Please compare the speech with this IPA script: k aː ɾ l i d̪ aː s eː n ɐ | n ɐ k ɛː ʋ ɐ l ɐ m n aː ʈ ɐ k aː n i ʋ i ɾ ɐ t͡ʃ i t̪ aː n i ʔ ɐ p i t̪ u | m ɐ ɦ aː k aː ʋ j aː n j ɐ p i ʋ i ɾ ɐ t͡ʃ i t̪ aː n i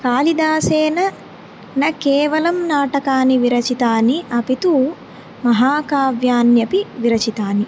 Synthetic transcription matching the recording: k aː l i d̪ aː s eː n ɐ | n ɐ k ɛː ʋ ɐ l ɐ m n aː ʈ ɐ k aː n i ʋ i ɾ ɐ t͡ʃ i t̪ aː n i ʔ ɐ p i t̪ u | m ɐ ɦ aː k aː ʋ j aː n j ɐ p i ʋ i ɾ ɐ t͡ʃ i t̪ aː n i